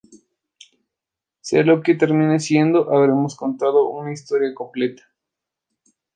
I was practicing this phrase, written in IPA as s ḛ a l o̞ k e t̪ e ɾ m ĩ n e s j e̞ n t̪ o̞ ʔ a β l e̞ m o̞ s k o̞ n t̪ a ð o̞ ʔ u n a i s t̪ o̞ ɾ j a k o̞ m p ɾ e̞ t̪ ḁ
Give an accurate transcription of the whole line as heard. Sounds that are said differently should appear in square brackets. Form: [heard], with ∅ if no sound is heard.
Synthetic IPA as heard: s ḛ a l o̞ k e t̪ e ɾ m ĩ n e s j e̞ n [d̪] o̞ ʔ a β [ɾ] e̞ m o̞ s k o̞ n t̪ a ð o̞ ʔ u n a i s t̪ o̞ ɾ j a k o̞ m p [l] e̞ t̪ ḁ